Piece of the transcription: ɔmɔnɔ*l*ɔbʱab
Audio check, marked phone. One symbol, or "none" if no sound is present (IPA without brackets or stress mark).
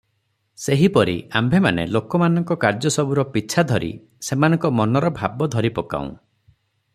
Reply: ɾ